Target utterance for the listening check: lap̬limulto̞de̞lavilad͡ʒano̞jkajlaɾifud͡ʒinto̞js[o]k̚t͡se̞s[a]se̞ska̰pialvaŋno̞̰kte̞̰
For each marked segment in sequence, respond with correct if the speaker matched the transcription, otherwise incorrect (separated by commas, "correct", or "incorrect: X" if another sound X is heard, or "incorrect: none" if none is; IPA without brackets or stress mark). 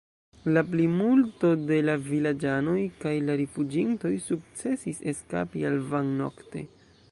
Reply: incorrect: u, incorrect: i